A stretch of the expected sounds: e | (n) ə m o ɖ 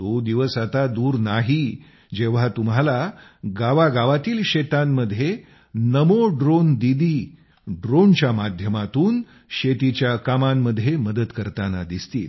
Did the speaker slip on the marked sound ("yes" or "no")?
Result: no